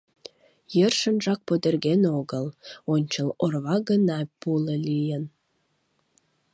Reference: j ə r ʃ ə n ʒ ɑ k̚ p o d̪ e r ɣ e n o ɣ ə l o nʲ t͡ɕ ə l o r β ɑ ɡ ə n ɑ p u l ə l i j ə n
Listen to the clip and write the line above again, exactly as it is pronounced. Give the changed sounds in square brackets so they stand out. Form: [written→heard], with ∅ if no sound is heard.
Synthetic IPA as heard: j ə r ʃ ə n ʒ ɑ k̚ p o d̪ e r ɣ e n o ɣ ə l o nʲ t͡ɕ ə l o r β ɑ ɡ ə n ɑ p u l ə l i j ə n